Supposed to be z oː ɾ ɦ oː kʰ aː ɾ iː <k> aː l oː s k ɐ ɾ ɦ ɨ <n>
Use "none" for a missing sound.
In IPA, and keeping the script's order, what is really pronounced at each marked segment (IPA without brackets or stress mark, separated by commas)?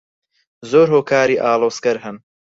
ʔ, n